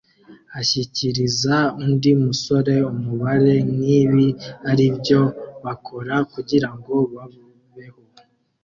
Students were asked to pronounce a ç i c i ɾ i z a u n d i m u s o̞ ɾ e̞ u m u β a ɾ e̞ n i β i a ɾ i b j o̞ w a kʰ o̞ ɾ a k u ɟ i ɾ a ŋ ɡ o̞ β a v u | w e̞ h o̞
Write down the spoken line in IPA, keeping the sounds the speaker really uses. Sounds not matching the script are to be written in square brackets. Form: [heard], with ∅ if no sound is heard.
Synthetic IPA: a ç i c i ɾ i z a u n d i m u s o̞ ɾ e̞ u m u β a ɾ e̞ n i β i a ɾ i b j o̞ [β] a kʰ o̞ ɾ a k u ɟ i ɾ a ŋ ɡ o̞ β a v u | [β] e̞ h o̞